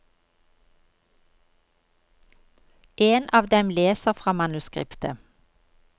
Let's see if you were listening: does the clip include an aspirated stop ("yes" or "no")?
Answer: no